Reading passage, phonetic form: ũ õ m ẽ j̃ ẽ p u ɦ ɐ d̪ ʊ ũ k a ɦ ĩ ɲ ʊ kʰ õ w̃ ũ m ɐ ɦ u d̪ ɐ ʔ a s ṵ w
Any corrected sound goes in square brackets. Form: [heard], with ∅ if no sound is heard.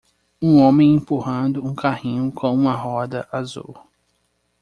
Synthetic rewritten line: ũ õ m ẽ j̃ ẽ p u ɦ [ɐ̃] d̪ ʊ ũ k a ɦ ĩ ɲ ʊ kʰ õ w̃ ũ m ɐ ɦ [ɔ] d̪ ɐ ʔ a [z] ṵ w